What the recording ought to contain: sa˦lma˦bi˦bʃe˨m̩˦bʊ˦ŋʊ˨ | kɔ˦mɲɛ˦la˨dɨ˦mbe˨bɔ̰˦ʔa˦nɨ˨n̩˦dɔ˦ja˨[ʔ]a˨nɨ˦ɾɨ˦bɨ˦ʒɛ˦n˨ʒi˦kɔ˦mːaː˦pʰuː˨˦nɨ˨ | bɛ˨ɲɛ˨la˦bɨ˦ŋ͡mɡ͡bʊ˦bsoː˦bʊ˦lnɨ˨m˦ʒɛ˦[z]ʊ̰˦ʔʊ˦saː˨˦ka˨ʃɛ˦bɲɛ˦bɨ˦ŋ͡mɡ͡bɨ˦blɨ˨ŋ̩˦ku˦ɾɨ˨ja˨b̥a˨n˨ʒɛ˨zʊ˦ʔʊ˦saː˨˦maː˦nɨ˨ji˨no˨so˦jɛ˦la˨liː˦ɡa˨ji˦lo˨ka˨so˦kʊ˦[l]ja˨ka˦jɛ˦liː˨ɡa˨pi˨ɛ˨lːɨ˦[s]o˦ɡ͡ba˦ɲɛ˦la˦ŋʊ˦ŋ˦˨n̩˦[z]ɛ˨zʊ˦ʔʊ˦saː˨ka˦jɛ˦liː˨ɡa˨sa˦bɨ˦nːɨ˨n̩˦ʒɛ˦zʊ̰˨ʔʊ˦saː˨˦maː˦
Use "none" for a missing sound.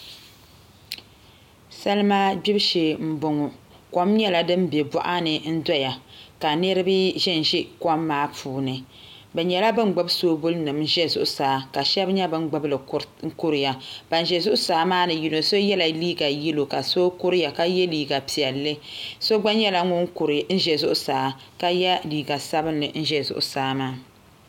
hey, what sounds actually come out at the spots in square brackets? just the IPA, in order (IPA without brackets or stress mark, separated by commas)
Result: k, z, ɾ, s, ʒ